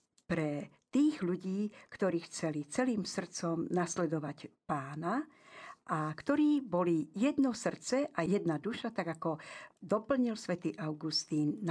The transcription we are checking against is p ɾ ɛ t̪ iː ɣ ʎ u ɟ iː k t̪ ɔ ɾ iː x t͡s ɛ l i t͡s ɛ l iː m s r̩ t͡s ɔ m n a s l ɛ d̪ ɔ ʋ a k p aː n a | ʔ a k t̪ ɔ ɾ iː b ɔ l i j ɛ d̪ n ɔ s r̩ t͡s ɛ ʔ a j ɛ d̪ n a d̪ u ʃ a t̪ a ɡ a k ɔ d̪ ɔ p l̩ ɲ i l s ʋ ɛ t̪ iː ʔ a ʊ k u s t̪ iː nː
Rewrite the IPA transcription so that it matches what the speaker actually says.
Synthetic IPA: p ɾ ɛ t̪ iː ɣ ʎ u ɟ iː k t̪ ɔ ɾ iː x t͡s ɛ l i t͡s ɛ l iː m s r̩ t͡s ɔ m n a s l ɛ d̪ ɔ ʋ a c p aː n a | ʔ a k t̪ ɔ ɾ iː b ɔ l i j ɛ d̪ n ɔ s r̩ t͡s ɛ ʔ a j ɛ d̪ n a d̪ u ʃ a t̪ a ɡ a k ɔ d̪ ɔ p l̩ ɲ i l s ʋ ɛ t̪ iː ʔ a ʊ ɡ u s t̪ iː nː